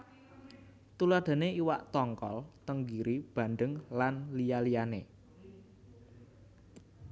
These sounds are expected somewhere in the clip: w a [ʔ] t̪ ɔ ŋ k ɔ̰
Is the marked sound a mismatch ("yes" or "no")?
no